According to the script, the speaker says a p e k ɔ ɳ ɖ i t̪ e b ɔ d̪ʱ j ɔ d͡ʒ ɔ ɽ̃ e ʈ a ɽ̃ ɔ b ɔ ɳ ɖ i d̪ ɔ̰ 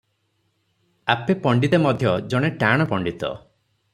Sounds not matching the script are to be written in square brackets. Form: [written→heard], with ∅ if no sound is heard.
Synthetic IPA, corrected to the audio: a p e [k→p] ɔ ɳ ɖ i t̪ e [b→m] ɔ d̪ʱ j ɔ d͡ʒ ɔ ɽ̃ e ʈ a ɽ̃ ɔ [b→p] ɔ ɳ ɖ i [d̪→t̪] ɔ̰